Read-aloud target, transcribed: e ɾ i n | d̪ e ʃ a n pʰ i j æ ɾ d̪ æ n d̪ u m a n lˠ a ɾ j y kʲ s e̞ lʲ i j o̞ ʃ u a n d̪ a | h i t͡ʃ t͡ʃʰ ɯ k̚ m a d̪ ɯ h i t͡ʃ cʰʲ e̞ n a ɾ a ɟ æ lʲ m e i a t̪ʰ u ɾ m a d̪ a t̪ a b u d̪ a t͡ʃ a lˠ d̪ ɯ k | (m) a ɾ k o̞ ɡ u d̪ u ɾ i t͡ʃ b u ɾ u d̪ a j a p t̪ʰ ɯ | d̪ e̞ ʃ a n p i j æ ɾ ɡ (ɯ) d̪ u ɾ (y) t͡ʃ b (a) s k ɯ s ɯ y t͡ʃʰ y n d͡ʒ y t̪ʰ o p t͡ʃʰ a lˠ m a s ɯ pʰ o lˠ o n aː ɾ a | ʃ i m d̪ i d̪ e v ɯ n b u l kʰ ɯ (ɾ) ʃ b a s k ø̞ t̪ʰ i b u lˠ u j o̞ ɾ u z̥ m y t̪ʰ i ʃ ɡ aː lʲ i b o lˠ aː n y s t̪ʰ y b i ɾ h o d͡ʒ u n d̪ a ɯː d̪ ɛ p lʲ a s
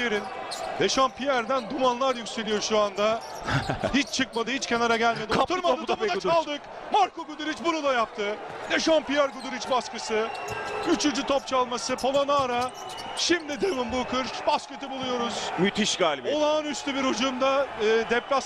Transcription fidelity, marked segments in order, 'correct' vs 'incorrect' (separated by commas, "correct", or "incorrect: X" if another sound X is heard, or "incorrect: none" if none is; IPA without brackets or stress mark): correct, incorrect: u, incorrect: i, correct, correct